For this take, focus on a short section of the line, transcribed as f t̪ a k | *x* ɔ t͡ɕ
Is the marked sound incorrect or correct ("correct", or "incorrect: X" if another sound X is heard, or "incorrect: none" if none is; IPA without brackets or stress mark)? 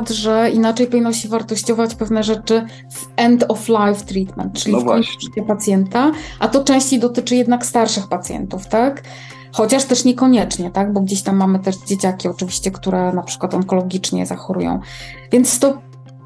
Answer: correct